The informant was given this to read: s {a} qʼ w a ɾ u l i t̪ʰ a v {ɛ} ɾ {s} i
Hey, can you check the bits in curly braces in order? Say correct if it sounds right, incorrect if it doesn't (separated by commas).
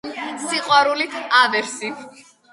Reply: incorrect, correct, correct